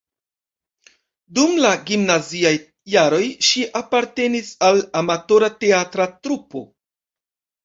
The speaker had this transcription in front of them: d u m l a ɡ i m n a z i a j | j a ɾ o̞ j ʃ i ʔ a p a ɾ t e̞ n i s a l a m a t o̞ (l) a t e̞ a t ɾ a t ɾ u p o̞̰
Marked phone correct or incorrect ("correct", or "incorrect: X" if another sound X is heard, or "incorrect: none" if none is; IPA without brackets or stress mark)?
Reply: incorrect: ɾ